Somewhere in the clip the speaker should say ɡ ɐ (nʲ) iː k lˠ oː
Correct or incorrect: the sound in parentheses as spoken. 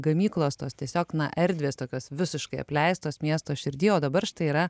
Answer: incorrect: mʲ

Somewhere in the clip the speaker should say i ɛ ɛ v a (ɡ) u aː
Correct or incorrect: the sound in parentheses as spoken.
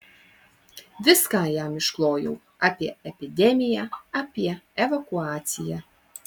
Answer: incorrect: k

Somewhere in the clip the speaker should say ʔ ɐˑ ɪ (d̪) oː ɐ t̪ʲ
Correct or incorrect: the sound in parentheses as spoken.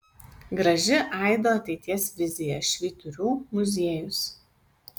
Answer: correct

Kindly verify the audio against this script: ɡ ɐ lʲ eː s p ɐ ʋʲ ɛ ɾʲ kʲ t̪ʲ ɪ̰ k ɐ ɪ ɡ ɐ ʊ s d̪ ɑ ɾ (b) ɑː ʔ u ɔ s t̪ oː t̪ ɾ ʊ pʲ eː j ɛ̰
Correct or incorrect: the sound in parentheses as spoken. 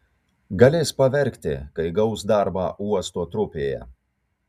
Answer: correct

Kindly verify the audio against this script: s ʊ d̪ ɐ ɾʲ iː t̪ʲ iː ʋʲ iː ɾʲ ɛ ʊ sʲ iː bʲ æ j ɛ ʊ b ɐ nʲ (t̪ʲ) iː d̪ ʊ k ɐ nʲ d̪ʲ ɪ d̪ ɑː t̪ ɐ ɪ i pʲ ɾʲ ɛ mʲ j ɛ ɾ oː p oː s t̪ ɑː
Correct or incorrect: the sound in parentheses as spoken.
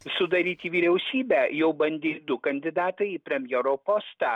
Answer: incorrect: d̪ʲ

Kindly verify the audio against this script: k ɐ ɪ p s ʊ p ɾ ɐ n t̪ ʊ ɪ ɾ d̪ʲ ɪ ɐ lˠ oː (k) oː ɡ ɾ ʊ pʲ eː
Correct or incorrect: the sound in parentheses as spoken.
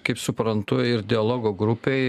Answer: incorrect: ɡ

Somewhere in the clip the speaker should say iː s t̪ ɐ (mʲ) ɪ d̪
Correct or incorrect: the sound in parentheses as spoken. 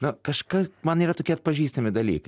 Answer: correct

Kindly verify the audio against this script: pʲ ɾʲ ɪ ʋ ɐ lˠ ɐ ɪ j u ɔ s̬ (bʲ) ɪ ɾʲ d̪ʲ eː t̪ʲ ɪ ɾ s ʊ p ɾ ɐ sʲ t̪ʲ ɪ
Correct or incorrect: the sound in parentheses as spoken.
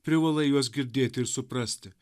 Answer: incorrect: ɡʲ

